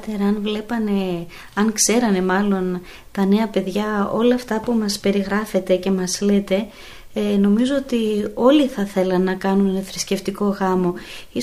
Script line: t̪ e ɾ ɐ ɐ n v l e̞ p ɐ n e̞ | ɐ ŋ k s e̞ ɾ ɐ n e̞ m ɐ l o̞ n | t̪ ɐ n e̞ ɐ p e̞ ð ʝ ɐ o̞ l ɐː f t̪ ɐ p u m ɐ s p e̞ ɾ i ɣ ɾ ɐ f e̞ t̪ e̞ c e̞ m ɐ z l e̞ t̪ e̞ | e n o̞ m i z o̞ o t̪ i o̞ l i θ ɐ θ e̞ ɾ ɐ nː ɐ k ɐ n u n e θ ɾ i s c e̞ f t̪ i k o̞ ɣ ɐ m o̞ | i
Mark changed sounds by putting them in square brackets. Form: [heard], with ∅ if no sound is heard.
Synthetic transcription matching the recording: t̪ e ɾ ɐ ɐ n v l e̞ p ɐ n e̞ | ɐ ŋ k s e̞ ɾ ɐ n e̞ m ɐ l o̞ n | t̪ ɐ n e̞ ɐ p e̞ ð ʝ ɐ o̞ l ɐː f t̪ ɐ p u m ɐ s p e̞ ɾ i ɣ ɾ ɐ f e̞ t̪ e̞ c e̞ m ɐ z l e̞ t̪ e̞ | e n o̞ m i z o̞ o t̪ i o̞ l i θ ɐ θ e̞ [l] ɐ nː ɐ k ɐ n u n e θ ɾ i s c e̞ f t̪ i k o̞ ɣ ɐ m o̞ | i